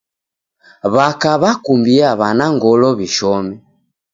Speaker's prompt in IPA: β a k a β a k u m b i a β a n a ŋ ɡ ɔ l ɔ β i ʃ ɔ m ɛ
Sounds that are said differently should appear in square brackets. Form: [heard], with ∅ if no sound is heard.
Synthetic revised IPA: β a k a β a k u m b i a β a n a ŋ ɡ ɔ l ɔ β i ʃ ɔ m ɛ